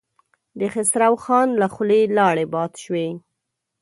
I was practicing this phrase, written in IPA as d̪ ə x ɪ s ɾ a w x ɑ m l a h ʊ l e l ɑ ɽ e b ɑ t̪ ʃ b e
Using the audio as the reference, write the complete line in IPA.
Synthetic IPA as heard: d̪ ə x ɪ s ɾ a w x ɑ n l a x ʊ l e l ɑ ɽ e b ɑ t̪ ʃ w e